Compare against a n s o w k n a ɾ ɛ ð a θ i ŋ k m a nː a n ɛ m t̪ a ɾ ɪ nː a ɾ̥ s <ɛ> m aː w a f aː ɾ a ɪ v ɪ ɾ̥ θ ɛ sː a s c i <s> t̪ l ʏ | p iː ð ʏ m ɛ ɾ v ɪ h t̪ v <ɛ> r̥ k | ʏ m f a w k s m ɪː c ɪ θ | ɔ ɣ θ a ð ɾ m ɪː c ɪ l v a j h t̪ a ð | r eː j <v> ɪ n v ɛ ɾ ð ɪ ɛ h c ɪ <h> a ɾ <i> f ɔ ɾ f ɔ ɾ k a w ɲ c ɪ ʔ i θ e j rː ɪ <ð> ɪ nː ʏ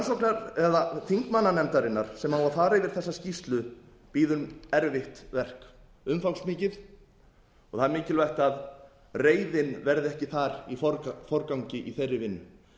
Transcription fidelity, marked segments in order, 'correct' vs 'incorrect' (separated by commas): correct, correct, correct, incorrect, incorrect, correct, incorrect